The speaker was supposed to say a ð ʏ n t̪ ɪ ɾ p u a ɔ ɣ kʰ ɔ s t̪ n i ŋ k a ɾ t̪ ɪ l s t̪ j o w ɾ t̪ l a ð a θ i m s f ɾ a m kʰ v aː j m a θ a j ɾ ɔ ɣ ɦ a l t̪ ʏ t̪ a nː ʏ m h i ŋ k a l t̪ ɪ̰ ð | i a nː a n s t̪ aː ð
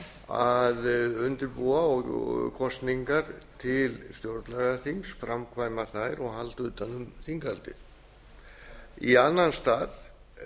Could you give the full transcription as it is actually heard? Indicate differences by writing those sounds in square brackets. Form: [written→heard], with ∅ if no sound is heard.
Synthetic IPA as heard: a ð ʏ n t̪ ɪ ɾ p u a ɔ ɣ kʰ ɔ s t̪ n i ŋ k a ɾ [t̪→t̪ʰ] ɪ l s t̪ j o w ɾ t̪ l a [ð→ɣ] a θ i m s f ɾ a m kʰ v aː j m a θ a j ɾ ɔ ɣ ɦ a l t̪ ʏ t̪ a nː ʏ m [h→θ] i ŋ k a l t̪ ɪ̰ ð | i a nː a n s t̪ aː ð